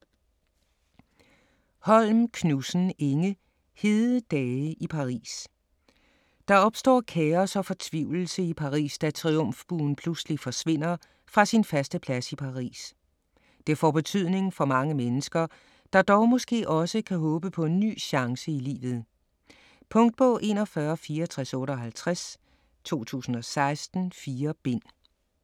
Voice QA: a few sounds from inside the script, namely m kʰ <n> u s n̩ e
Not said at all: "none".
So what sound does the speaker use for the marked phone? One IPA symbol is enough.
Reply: n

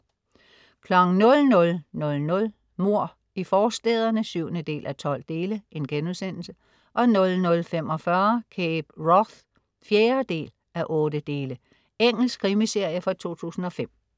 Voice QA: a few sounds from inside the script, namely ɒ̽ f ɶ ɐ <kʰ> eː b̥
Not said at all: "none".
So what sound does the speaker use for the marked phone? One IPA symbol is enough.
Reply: kʰ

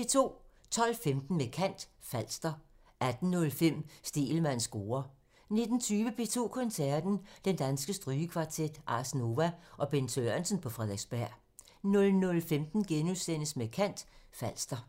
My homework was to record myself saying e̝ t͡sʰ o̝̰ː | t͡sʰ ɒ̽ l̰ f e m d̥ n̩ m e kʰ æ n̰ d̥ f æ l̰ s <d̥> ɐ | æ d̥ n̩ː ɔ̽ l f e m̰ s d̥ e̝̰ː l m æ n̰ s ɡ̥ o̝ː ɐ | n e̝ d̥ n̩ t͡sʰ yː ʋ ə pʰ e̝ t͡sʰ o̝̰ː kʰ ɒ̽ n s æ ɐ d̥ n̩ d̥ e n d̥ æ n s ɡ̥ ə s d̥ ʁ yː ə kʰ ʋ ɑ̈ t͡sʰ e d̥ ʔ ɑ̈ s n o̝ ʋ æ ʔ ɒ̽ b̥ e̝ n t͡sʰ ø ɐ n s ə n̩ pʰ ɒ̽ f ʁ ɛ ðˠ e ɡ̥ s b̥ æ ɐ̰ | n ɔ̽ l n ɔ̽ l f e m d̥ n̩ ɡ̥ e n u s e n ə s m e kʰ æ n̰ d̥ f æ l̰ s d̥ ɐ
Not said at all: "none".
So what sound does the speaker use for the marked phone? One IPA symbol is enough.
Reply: d̥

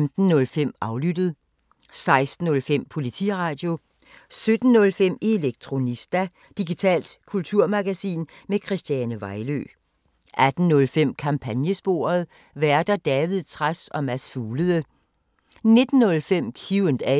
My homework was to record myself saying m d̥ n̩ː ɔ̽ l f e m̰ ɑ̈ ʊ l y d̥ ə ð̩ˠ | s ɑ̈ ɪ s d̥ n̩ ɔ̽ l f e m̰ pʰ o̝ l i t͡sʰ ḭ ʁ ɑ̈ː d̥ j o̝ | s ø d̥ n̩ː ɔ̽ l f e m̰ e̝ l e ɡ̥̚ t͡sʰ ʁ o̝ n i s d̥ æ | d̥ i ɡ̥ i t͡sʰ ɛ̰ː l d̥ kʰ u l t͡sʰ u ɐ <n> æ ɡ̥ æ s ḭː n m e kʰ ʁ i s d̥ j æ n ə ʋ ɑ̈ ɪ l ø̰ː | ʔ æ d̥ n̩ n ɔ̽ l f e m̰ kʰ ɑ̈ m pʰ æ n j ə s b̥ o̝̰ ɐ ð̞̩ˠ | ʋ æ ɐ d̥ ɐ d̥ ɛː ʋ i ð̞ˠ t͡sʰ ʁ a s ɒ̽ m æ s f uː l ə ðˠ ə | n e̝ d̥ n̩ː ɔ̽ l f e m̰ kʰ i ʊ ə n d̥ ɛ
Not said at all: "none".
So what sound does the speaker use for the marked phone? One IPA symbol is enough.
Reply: m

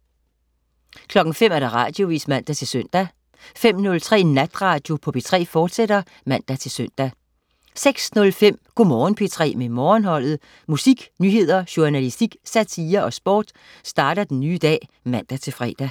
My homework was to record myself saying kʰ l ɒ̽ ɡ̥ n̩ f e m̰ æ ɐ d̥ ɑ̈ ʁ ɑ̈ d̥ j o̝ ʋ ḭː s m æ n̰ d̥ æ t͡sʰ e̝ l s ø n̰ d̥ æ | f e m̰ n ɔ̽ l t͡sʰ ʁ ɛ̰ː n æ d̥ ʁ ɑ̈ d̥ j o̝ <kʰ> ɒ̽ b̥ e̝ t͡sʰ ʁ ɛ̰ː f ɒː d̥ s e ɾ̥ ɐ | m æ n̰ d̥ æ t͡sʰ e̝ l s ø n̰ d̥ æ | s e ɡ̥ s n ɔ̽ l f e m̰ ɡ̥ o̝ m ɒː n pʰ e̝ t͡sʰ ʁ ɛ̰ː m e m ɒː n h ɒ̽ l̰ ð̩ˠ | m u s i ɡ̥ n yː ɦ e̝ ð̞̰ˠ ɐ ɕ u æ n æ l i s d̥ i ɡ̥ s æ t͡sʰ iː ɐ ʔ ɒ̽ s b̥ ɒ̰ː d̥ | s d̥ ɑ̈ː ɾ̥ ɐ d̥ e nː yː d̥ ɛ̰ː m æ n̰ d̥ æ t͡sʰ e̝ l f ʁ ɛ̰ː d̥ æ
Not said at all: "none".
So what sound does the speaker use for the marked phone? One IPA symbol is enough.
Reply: pʰ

